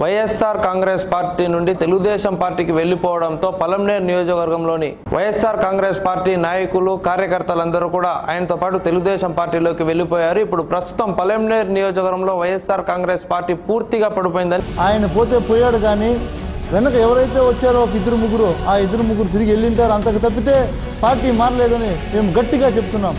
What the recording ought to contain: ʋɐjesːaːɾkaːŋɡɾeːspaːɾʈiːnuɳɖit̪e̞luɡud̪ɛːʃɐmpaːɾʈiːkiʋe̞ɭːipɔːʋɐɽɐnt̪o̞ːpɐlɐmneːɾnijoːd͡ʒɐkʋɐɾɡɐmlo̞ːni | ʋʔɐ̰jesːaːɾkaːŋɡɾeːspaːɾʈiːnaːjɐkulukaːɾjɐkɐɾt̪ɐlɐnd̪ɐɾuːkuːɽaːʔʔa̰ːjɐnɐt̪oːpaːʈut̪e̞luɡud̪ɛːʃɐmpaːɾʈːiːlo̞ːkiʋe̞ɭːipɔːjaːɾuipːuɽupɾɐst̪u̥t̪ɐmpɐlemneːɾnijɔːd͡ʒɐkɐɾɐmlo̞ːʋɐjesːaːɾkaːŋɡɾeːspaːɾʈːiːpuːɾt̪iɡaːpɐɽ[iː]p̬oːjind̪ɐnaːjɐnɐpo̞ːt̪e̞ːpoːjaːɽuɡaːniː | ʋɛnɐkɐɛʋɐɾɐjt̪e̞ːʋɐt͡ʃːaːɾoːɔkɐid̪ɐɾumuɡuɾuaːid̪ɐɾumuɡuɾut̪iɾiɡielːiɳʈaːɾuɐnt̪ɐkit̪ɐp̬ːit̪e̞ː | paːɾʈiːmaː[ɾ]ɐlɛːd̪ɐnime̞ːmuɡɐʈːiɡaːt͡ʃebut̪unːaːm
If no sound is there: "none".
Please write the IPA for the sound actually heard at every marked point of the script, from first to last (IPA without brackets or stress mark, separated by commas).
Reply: i, ɾ